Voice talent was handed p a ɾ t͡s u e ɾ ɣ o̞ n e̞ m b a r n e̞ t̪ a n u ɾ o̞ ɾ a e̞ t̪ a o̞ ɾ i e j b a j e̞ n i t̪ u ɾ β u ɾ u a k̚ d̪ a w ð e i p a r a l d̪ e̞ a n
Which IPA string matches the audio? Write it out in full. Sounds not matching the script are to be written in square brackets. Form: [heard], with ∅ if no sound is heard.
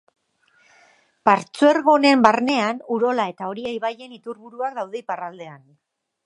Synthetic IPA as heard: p a ɾ t͡s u e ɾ ɣ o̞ n e̞ m b a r n e̞ [∅] a n u ɾ o̞ [l] a e̞ t̪ a o̞ ɾ i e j [β] a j e̞ n i t̪ u ɾ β u ɾ u a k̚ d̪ a w ð e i p a r a l d̪ e̞ a n